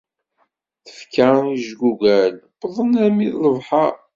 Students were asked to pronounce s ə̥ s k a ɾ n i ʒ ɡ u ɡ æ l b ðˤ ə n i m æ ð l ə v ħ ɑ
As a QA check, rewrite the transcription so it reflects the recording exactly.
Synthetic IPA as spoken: θ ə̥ f k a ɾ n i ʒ ɡ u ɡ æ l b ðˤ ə n æ m i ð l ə v ħ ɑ